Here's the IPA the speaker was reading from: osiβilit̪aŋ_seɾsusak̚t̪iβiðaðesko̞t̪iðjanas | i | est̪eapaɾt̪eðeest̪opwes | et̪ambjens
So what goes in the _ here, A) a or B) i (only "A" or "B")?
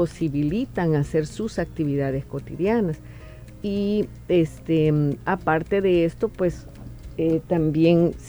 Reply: A